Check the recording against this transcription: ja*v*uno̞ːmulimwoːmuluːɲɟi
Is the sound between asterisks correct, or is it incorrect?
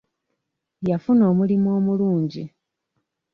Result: incorrect: f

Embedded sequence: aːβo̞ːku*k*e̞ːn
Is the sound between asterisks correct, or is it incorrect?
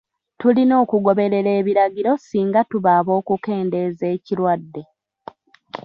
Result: correct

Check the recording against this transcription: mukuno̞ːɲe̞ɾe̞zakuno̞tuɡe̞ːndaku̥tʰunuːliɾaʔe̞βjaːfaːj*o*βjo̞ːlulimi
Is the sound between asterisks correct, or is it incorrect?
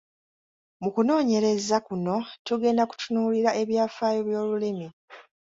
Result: correct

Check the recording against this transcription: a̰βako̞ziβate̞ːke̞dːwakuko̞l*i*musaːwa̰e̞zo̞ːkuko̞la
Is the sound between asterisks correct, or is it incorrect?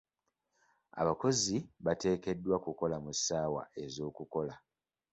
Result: incorrect: a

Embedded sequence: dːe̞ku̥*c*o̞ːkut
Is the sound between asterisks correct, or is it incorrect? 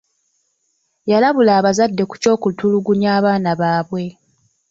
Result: correct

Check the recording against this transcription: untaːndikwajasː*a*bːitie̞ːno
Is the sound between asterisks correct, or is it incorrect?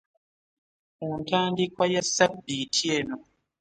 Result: correct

